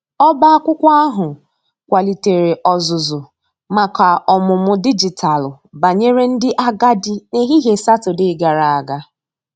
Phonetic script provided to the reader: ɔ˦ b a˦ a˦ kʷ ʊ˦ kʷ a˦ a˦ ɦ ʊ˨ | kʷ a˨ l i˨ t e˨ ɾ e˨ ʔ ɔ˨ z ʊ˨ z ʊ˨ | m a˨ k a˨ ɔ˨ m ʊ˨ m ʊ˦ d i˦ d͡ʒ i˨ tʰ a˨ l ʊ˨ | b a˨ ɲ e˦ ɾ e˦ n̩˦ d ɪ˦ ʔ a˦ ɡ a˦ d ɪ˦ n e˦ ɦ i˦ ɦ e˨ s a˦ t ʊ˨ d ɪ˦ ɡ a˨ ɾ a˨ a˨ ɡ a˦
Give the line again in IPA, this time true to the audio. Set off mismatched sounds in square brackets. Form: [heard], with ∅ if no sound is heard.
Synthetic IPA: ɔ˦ b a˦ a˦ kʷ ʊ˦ kʷ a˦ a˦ ɦ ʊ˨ | kʷ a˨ l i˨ t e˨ ɾ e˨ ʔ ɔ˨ z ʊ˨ z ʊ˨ | m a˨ k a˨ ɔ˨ m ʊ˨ m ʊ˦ d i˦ d͡ʒ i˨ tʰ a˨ l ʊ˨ | b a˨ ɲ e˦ ɾ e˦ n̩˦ d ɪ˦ ʔ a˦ ɡ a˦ d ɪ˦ n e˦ ɦ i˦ ɦ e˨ s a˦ t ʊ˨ d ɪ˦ ɡ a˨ ɾ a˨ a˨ ɡ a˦